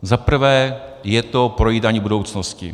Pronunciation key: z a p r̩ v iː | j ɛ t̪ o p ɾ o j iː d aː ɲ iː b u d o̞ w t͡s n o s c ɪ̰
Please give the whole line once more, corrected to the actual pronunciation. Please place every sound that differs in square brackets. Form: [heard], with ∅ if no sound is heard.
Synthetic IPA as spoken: z a p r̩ v [ɛː] | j ɛ t̪ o p ɾ o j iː d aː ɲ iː b u d o̞ w t͡s n o s c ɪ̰